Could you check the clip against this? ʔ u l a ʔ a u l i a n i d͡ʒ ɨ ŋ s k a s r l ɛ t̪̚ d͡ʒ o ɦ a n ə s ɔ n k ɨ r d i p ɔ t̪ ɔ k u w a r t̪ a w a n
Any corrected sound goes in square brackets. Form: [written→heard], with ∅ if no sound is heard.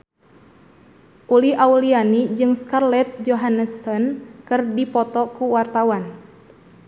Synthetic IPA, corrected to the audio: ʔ u l [a→i] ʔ a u l i a n i d͡ʒ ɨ ŋ s k a [s→∅] r l ɛ t̪̚ d͡ʒ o ɦ a n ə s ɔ n k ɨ r d i p ɔ t̪ ɔ k u w a r t̪ a w a n